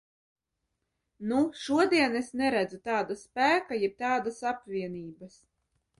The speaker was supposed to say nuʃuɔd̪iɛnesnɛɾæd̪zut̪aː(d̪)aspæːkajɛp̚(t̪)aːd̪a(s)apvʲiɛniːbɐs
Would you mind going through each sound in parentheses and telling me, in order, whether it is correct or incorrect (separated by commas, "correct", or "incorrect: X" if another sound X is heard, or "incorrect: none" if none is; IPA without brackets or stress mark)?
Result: correct, correct, correct